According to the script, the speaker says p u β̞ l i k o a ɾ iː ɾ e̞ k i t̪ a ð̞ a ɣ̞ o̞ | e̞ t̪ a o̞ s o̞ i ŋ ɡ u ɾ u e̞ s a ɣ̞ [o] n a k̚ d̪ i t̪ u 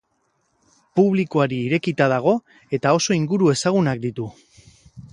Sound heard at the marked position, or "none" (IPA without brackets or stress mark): u